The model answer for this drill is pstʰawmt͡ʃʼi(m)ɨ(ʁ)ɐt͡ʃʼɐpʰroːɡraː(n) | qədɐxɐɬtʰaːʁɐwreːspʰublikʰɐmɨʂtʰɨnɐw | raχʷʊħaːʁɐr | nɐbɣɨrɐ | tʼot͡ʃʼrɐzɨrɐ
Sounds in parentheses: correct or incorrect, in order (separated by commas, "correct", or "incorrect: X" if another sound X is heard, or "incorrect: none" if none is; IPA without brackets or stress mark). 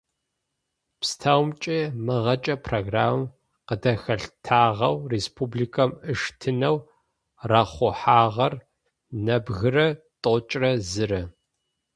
correct, correct, incorrect: m